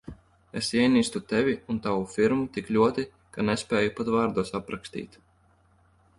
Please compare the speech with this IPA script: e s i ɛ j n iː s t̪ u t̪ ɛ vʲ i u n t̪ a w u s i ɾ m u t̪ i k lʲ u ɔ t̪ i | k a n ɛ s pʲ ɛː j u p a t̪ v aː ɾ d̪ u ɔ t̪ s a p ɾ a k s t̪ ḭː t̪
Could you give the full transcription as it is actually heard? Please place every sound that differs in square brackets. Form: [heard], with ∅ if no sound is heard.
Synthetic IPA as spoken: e s i ɛ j n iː s t̪ u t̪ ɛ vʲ i u n t̪ a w u [f] i ɾ m u t̪ i k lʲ u ɔ t̪ i | k a n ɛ s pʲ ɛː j u p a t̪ v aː ɾ d̪ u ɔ [∅] s a p ɾ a k s t̪ ḭː t̪